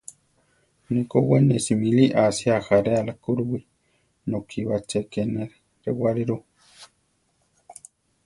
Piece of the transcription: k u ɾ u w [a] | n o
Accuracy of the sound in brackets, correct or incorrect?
incorrect